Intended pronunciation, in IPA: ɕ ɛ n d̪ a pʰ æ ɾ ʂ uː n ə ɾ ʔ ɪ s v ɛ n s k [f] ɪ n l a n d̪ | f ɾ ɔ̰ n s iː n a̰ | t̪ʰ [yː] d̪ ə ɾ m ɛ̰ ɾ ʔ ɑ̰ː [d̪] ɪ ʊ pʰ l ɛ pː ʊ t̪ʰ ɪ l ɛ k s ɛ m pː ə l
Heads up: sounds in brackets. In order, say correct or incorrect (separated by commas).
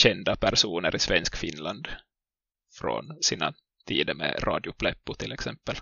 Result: correct, incorrect, correct